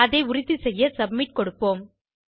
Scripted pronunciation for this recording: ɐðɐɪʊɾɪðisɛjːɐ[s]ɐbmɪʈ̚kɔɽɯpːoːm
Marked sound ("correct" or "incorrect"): correct